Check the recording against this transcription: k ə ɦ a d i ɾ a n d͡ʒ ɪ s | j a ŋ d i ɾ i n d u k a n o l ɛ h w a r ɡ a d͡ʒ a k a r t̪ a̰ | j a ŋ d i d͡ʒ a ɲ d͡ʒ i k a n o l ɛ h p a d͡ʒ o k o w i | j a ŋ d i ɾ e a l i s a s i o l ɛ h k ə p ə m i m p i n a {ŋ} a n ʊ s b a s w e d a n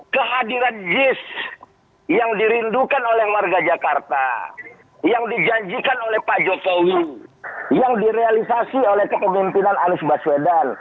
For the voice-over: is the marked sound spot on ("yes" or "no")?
no